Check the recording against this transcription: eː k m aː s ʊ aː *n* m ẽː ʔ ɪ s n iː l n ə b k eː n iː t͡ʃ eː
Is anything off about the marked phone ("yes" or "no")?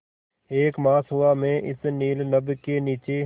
yes